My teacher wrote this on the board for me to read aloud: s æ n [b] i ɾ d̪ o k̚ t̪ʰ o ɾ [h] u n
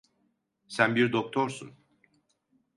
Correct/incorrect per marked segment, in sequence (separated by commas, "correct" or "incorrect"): correct, incorrect